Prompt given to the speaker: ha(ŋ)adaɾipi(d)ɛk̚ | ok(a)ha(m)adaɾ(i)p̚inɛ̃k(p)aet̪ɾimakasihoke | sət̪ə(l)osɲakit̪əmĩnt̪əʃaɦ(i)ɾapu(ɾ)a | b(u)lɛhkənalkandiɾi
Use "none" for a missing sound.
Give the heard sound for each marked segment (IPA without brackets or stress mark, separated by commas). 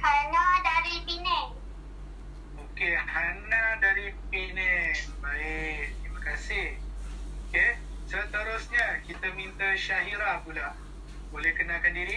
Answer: n, n, e, n, i, b, ɾ, i, l, o